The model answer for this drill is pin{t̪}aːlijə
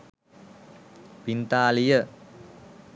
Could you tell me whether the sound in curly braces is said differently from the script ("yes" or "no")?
no